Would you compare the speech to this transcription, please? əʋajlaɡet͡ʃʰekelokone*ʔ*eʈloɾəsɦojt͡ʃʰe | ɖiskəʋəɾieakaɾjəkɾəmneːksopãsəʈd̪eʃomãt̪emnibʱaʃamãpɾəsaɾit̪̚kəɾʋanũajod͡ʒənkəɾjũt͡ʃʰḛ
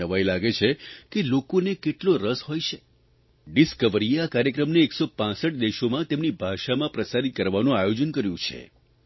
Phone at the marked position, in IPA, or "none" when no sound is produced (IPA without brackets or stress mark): k